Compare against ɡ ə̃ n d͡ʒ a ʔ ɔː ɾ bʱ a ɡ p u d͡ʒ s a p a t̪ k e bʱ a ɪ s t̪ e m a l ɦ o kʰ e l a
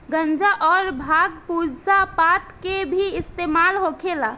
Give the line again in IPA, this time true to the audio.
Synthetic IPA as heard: ɡ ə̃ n d͡ʒ a ʔ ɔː ɾ bʱ a ɡ p u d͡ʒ s a p a t̪ k e bʱ i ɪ s t̪ e m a l ɦ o kʰ e l a